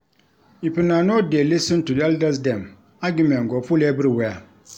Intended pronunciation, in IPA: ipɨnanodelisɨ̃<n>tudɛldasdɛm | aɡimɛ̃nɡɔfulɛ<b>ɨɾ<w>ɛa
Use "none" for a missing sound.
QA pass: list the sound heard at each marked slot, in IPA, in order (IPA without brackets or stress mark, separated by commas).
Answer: n, b, w